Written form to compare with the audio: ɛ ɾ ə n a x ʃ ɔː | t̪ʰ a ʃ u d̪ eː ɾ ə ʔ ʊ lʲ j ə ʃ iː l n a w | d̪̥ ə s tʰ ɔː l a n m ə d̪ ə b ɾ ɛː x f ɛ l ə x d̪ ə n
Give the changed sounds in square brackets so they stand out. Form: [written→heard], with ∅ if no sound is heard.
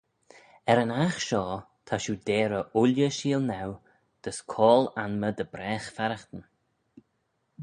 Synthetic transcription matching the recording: ɛ ɾ ə n a x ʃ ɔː | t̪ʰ a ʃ u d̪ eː ɾ ə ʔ ʊ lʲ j ə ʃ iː l n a w | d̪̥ ə s [tʰ→kʰ] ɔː l a n m ə d̪ ə b ɾ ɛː x f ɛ [l→ɾ] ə x [d̪→t̪] ə n